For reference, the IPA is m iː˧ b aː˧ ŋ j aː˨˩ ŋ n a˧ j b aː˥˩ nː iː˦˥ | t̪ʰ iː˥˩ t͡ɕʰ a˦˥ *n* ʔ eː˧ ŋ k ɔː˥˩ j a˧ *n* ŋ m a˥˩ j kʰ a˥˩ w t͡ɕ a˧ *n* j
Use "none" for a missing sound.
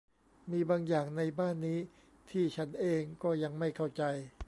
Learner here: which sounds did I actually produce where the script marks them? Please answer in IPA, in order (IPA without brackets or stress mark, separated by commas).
n, none, none